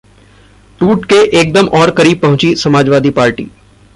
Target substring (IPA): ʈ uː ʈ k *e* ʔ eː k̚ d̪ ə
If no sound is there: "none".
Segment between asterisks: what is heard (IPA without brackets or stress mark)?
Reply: e